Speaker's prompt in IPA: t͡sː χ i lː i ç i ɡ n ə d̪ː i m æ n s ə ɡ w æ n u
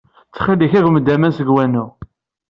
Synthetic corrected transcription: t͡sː χ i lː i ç æ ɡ m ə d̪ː æ m æ n s ə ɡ w æ n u